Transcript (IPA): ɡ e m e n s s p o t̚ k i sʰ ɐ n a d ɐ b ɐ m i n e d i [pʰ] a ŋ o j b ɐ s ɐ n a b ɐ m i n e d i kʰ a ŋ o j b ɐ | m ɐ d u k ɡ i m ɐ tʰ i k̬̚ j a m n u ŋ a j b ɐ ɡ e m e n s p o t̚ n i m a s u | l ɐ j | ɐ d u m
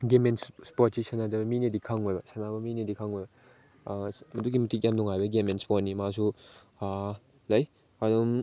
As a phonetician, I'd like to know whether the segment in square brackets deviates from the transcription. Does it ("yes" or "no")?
yes